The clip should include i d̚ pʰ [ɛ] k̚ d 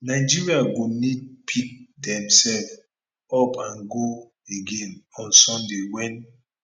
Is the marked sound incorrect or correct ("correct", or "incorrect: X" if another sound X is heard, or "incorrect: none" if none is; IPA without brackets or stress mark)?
incorrect: i